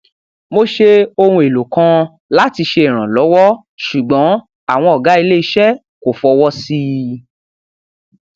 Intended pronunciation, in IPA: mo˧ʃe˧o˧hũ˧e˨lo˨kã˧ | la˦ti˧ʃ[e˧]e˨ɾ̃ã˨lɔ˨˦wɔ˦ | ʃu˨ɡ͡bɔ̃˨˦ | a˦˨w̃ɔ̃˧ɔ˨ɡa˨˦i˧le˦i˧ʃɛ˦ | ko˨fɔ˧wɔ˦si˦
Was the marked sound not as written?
no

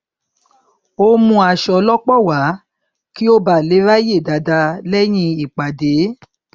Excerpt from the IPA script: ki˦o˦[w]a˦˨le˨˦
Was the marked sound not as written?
yes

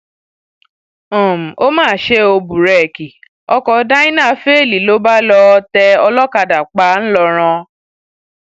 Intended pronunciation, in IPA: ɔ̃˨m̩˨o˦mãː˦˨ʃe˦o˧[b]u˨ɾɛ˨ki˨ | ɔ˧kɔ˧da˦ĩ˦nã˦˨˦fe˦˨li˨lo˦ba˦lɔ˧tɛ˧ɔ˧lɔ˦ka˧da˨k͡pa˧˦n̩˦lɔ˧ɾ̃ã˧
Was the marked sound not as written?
no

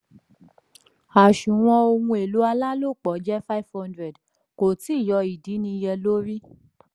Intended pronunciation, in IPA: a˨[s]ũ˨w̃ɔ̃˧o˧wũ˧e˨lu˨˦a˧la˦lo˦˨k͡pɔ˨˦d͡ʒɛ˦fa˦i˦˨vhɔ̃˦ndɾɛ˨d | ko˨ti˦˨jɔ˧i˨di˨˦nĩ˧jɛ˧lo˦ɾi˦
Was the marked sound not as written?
yes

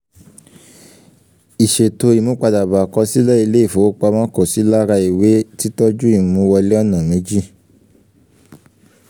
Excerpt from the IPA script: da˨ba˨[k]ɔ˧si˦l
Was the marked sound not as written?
no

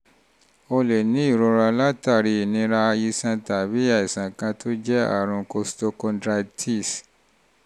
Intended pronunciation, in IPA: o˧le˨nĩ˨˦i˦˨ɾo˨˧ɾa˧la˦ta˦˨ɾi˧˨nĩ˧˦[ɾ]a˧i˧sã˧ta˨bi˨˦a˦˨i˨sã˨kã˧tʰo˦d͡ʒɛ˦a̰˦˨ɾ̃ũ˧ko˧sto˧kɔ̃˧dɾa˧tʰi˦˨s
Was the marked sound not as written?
no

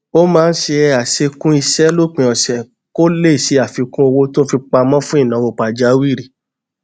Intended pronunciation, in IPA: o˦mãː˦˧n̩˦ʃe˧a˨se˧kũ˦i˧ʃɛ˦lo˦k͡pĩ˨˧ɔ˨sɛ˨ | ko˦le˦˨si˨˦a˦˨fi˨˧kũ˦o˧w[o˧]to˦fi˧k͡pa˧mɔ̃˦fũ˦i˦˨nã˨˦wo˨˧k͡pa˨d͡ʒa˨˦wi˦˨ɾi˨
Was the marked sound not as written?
no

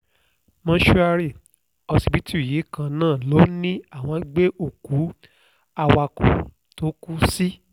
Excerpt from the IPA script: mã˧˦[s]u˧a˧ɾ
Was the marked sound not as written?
yes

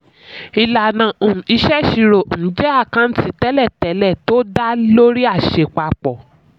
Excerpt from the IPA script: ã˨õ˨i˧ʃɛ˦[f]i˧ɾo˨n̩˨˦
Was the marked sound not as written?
yes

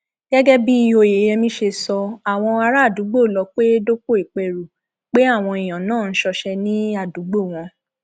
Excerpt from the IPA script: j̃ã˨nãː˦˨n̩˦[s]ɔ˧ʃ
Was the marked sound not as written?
yes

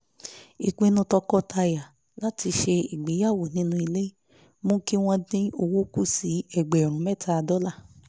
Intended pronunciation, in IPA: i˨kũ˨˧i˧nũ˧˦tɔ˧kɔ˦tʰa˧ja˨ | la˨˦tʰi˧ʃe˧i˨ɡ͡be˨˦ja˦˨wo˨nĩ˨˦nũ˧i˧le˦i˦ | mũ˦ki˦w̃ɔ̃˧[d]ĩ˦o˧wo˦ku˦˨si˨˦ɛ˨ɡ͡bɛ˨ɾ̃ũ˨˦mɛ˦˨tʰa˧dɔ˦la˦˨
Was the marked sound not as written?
no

